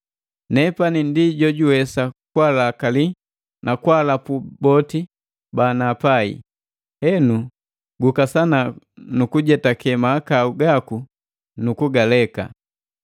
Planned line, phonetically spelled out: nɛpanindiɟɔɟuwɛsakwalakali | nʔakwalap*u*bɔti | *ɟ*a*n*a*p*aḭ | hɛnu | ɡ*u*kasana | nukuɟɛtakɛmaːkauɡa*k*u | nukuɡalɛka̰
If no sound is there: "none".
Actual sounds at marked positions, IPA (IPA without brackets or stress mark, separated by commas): u, b, n, p, u, k